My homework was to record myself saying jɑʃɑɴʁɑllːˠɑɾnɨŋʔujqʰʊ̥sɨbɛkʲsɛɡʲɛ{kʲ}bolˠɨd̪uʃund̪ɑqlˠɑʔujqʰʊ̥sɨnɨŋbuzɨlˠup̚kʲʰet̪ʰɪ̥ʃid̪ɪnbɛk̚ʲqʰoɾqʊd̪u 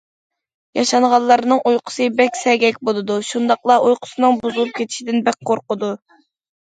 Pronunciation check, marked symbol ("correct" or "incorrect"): correct